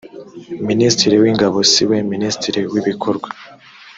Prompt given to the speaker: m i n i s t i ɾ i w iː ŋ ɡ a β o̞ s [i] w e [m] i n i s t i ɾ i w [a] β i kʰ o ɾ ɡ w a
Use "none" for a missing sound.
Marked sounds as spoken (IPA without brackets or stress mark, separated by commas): i, m, i